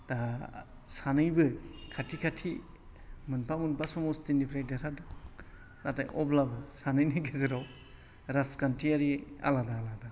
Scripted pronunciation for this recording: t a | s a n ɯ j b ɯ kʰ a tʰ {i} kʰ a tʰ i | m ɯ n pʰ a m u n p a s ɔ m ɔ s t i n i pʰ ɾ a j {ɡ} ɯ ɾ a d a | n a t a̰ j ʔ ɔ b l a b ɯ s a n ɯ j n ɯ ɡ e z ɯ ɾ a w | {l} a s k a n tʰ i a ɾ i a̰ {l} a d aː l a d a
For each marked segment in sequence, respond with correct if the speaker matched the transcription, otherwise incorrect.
correct, incorrect: d, incorrect: ɾ, correct

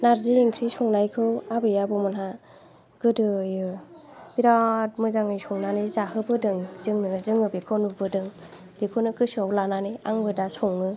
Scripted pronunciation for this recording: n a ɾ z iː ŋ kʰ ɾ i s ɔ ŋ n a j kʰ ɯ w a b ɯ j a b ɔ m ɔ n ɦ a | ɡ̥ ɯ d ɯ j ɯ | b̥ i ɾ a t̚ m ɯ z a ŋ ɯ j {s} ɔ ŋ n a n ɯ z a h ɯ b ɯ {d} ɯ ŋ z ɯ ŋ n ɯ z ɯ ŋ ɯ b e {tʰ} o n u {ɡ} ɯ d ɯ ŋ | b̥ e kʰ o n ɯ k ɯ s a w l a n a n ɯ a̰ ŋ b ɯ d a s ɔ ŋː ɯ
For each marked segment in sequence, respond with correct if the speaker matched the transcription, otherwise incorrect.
correct, correct, incorrect: kʰ, incorrect: b

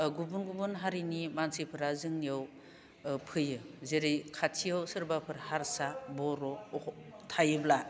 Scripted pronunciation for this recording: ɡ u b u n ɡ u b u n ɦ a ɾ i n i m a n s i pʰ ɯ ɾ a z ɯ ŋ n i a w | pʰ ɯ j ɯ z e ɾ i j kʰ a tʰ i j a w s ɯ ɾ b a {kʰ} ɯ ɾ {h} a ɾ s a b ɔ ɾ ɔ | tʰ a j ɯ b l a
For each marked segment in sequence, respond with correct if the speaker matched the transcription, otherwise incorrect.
incorrect: pʰ, correct

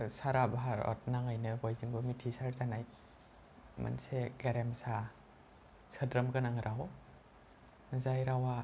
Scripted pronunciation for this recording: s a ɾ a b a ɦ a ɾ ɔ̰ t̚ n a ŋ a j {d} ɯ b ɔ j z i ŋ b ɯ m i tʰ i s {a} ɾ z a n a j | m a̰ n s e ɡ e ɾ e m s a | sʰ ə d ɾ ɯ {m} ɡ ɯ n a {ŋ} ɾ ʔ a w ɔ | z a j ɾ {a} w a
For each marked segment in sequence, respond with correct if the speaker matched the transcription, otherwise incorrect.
incorrect: n, correct, correct, correct, correct

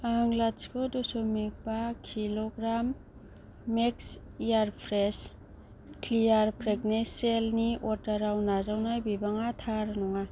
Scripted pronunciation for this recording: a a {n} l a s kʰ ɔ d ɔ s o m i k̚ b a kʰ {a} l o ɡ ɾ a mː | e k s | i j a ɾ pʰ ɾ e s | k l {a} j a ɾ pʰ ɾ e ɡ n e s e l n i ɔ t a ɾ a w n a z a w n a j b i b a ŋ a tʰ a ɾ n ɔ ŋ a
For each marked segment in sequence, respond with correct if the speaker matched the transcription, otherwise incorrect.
incorrect: ŋ, incorrect: i, incorrect: i

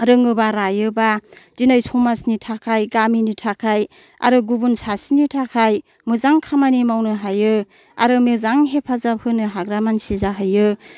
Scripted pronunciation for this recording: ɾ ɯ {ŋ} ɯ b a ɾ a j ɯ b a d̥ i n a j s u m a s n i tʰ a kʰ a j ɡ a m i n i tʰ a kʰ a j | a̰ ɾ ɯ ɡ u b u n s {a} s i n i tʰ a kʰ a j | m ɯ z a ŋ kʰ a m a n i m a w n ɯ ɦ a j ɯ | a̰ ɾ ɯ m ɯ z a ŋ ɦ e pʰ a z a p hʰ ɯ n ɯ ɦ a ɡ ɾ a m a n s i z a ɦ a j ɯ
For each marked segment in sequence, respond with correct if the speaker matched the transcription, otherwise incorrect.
correct, correct

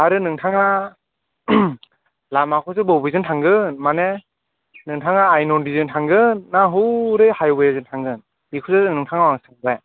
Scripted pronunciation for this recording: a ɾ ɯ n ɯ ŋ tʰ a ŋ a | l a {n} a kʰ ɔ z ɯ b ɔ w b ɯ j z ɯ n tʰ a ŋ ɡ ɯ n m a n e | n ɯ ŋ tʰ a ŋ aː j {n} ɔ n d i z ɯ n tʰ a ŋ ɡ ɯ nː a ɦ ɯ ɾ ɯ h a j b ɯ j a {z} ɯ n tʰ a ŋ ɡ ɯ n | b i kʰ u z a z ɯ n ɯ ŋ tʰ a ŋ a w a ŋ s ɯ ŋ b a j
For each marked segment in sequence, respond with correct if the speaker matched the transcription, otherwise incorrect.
incorrect: m, correct, correct

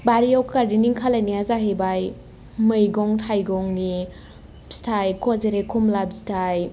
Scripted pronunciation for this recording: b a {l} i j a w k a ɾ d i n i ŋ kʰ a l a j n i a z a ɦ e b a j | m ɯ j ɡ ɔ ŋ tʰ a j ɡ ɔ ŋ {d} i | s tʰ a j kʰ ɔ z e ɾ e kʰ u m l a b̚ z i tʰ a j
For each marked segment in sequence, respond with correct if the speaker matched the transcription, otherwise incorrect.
incorrect: ɾ, incorrect: n

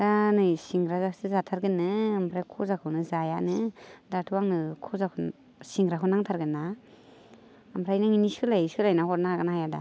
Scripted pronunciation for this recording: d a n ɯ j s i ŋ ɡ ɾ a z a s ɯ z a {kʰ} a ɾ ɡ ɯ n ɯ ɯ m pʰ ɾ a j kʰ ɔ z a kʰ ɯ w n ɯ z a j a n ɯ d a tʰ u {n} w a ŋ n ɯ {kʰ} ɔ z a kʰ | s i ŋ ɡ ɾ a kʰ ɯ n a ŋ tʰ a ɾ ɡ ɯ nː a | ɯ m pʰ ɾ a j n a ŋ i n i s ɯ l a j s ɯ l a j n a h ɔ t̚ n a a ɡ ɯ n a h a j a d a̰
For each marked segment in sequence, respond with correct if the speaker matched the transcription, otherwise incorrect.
incorrect: tʰ, incorrect: none, correct

